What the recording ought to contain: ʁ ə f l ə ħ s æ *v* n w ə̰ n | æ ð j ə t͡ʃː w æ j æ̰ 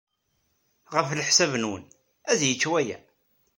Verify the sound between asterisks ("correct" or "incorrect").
correct